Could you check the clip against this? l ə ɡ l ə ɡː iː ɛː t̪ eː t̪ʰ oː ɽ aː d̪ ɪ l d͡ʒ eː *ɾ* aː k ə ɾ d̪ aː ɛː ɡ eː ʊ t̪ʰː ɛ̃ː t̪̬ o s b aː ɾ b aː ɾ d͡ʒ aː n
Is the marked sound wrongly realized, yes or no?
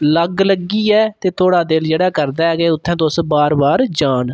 yes